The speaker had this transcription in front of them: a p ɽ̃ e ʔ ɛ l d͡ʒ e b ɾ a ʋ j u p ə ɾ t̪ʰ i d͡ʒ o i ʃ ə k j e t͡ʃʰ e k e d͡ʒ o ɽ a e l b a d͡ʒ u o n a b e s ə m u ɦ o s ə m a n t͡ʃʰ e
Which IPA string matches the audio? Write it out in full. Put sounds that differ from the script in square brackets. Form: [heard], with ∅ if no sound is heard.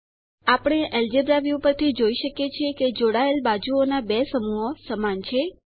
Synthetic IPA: a p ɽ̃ e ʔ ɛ l d͡ʒ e b ɾ a ʋ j u p ə ɾ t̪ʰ i d͡ʒ o i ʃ ə k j e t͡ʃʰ e k e d͡ʒ o ɽ a e l b a d͡ʒ u o n a b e s ə m u ɦ o s ə m a n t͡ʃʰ e